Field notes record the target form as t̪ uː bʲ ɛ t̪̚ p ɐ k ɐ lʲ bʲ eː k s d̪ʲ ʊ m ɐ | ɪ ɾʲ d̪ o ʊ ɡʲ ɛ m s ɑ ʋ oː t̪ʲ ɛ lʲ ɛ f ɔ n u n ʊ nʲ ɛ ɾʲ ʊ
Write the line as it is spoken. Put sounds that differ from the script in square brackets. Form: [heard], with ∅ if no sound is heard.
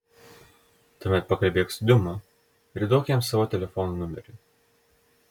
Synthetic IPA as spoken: t̪ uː [mʲ] ɛ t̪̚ p ɐ k ɐ lʲ bʲ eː k s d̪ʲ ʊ m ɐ | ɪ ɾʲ d̪ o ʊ [kʲ] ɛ m s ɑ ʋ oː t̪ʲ ɛ lʲ ɛ f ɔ n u n ʊ [mʲ] ɛ ɾʲ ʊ